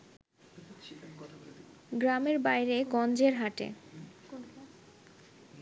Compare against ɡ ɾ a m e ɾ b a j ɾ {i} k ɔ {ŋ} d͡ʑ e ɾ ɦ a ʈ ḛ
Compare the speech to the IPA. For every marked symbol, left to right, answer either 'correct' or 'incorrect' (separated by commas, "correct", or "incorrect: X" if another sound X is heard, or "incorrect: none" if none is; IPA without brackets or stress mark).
incorrect: e, incorrect: n